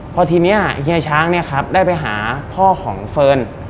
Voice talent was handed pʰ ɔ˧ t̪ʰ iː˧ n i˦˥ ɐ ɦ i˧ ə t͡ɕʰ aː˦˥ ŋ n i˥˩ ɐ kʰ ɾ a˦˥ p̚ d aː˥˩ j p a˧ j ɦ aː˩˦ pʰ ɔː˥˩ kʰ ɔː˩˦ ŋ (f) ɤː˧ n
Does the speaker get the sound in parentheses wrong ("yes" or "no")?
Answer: no